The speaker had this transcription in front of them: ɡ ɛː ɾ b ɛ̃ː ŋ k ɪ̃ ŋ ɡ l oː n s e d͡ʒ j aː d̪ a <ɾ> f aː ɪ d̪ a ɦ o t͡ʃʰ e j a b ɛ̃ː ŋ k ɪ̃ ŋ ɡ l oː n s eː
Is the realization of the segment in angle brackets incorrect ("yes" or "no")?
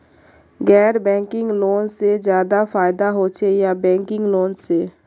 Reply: yes